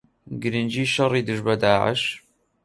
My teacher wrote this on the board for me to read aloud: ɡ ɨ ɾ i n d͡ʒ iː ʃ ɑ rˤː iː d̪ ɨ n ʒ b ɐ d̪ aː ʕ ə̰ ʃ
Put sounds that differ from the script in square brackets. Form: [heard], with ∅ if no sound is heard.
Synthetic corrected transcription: ɡ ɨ ɾ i n d͡ʒ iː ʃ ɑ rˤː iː d̪ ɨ [∅] ʒ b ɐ d̪ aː ʕ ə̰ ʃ